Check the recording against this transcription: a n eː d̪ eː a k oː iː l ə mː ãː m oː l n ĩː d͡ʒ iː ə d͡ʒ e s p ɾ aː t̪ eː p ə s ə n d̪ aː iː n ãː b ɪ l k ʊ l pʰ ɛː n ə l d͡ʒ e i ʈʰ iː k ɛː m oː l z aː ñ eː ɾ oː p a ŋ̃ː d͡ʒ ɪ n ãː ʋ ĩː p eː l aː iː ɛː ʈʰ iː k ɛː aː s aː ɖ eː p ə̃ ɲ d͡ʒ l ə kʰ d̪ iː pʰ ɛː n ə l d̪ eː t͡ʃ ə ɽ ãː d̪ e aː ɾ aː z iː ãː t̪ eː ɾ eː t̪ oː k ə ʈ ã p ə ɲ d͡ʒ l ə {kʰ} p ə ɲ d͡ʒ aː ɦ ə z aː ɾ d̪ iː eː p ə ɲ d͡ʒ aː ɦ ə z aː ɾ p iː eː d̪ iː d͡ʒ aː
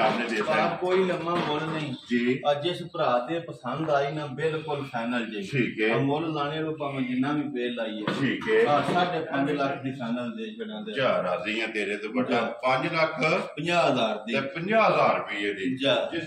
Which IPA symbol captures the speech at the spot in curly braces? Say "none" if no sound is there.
kʰ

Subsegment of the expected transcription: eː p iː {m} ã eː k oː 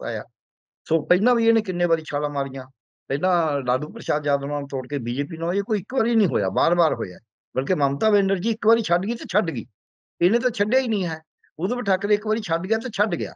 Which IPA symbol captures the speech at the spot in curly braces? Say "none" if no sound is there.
n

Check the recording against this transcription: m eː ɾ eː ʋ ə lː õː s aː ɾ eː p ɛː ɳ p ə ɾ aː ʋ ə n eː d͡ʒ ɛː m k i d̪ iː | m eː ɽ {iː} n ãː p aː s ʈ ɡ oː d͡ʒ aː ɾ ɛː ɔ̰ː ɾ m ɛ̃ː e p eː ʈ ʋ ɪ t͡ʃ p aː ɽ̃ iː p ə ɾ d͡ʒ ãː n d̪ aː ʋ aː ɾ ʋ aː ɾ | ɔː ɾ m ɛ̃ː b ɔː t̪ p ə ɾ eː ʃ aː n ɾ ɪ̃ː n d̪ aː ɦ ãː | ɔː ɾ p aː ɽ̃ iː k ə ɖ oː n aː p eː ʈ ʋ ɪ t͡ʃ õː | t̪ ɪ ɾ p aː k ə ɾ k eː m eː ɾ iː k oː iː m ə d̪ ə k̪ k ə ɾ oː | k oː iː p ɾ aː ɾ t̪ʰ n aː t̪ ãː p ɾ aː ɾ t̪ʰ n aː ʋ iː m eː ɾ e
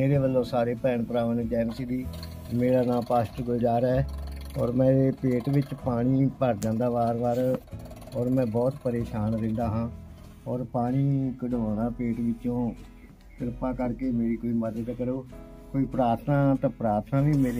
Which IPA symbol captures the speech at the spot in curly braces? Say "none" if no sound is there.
aː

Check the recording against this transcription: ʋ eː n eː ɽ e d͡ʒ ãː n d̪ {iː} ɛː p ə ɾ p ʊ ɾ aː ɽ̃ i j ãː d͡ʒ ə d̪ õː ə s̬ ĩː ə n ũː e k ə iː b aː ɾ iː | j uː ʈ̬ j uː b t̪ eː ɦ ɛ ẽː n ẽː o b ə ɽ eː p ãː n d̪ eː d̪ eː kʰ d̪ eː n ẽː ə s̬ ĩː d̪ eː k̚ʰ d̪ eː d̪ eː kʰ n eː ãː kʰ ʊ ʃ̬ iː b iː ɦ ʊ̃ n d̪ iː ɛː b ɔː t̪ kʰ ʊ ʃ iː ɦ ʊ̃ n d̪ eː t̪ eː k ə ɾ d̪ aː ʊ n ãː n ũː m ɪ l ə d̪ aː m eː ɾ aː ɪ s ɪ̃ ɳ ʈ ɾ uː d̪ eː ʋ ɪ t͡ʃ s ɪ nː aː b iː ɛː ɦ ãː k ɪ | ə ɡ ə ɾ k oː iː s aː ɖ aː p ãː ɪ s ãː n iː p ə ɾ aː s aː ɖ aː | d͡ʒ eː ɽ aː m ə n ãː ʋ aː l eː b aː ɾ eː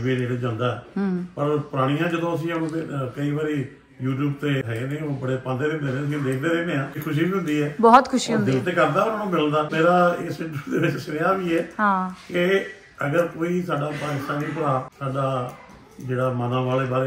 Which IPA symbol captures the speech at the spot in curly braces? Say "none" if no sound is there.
aː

